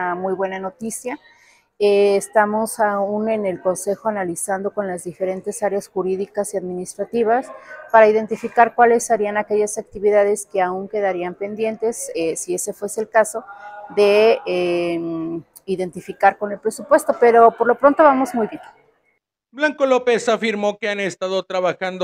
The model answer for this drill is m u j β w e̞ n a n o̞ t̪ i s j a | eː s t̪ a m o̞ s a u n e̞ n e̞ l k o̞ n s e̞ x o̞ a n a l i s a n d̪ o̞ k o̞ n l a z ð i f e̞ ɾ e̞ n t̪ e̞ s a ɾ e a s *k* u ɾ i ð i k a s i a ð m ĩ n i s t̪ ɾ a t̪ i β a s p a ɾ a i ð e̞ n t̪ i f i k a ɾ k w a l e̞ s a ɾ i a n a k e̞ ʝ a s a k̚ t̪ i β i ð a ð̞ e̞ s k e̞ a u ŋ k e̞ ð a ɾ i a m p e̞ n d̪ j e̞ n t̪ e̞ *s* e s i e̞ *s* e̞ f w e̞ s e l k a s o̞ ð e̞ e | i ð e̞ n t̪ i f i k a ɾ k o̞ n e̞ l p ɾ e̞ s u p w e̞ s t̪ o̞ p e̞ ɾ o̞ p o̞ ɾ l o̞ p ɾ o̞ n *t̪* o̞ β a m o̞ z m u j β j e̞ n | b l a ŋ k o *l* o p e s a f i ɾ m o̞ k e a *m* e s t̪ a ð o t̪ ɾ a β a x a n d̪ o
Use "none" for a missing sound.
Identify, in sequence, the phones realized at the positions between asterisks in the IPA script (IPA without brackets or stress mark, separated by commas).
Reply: x, s, s, t̪, l, n